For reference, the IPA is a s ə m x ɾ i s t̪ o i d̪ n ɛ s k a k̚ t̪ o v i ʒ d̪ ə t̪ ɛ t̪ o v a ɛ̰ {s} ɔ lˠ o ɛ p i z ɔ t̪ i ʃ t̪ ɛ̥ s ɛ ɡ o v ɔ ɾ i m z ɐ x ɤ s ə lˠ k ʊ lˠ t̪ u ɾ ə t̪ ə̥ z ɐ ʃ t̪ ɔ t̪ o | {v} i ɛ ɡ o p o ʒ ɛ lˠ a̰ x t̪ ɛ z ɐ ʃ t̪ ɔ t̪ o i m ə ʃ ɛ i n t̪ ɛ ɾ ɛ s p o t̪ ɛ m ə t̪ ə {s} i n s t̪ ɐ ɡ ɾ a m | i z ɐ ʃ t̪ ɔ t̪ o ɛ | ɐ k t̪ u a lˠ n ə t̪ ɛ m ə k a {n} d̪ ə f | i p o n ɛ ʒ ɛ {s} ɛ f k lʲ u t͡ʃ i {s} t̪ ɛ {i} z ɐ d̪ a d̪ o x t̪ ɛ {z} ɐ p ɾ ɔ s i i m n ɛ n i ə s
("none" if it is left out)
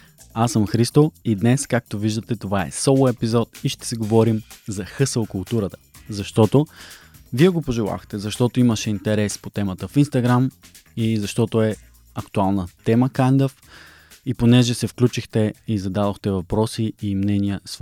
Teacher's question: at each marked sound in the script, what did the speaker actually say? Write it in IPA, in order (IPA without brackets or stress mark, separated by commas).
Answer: s, v, f, n, s, x, i, v